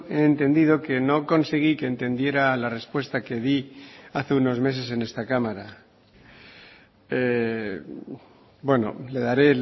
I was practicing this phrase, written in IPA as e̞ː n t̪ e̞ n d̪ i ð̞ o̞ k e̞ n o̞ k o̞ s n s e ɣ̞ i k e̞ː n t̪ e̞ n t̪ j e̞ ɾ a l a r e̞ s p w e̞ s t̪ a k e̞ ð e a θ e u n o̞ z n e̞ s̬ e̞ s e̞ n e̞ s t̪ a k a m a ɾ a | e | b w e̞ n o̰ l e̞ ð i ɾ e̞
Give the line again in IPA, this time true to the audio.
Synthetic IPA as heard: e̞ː n t̪ e̞ n d̪ i ð̞ o̞ k e̞ n o̞ k o̞ n s e ɣ̞ i k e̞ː n t̪ e̞ n d̪ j e̞ ɾ a l a r e̞ s p w e̞ s t̪ a k e̞ ð i a θ e u n o̞ z m e̞ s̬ e̞ s e̞ n e̞ s t̪ a k a m a ɾ a | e | b w e̞ n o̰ l e̞ ð a ɾ e̞

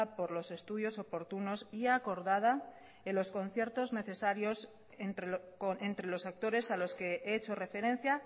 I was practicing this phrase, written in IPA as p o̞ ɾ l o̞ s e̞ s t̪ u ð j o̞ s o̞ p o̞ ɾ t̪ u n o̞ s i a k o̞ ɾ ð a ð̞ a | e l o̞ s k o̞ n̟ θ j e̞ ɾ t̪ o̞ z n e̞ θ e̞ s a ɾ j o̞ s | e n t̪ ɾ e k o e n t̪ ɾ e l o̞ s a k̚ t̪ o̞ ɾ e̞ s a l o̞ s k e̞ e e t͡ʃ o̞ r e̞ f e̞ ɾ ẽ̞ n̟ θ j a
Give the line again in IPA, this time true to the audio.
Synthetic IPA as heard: p o̞ ɾ l o̞ s e̞ s t̪ u ð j o̞ s o̞ p o̞ ɾ t̪ u n o̞ s i a k o̞ ɾ ð a ð̞ a | e l o̞ s k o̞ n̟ θ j e̞ ɾ t̪ o̞ z n e̞ θ e̞ s a ɾ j o̞ s | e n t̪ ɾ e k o e n t̪ ɾ e l o̞ s a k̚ t̪ o̞ ɾ e̞ s a l o̞ s k e̞ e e t͡ʃ o̞ r e̞ f e̞ ɾ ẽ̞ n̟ θ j a

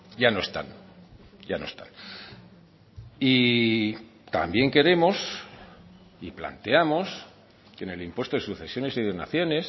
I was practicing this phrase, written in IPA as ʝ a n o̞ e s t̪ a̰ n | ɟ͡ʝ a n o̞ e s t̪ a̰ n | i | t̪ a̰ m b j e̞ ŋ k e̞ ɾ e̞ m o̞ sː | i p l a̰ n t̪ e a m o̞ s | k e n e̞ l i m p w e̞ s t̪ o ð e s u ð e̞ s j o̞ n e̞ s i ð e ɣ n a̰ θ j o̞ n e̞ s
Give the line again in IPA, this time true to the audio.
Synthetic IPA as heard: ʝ a n o̞ e s t̪ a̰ n | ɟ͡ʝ a n o̞ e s t̪ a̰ n | i | t̪ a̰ m b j e̞ ŋ k e̞ ɾ e̞ m o̞ s | i p l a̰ n t̪ e a m o̞ s | k e n e̞ l i m p w e̞ s t̪ o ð e s u θ e̞ s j o̞ n e̞ s i ð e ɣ n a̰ θ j o̞ n e̞ s

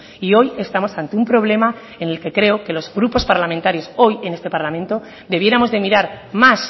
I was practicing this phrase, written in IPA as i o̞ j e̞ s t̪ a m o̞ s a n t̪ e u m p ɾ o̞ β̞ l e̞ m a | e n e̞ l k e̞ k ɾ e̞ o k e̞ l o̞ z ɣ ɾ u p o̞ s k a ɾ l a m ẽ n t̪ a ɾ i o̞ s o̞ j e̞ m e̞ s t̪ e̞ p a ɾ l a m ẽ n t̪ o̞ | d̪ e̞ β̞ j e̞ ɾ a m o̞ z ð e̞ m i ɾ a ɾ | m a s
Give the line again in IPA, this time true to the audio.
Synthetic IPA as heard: i o̞ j e̞ s t̪ a m o̞ s a n t̪ e u m p ɾ o̞ β̞ l e̞ m a | e n e̞ l k e̞ k ɾ e̞ o k e̞ l o̞ z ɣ ɾ u p o̞ s p a ɾ l a m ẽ n t̪ a ɾ j o̞ s o̞ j e̞ n e̞ s t̪ e̞ p a ɾ l a m ẽ n t̪ o̞ | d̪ e̞ β̞ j e̞ ɾ a m o̞ z ð e̞ m i ɾ a ɾ | m a s

